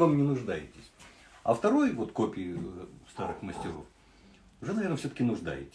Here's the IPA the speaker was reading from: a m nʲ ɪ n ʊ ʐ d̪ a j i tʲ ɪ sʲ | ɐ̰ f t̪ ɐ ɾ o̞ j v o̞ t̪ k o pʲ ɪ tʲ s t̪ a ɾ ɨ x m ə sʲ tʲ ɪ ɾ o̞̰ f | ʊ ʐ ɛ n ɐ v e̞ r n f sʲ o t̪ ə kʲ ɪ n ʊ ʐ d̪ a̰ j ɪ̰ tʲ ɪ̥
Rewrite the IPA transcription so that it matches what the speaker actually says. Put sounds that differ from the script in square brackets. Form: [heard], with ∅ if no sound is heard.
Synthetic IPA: a m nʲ ɪ n ʊ ʐ d̪ a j [ɪ] tʲ ɪ sʲ | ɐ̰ f t̪ ɐ ɾ o̞ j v o̞ t̪ k o pʲ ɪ [∅] s t̪ a ɾ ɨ x m ə sʲ tʲ ɪ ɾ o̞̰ f | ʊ ʐ ɛ n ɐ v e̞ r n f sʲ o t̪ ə kʲ ɪ n ʊ ʐ d̪ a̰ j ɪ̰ tʲ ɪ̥